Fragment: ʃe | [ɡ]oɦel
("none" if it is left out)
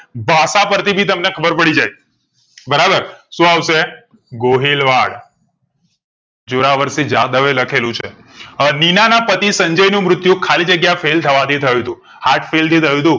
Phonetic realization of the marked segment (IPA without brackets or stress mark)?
ɡ